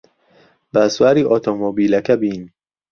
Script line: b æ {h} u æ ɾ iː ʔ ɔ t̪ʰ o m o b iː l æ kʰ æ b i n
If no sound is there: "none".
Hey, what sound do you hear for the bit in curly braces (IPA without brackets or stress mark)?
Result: s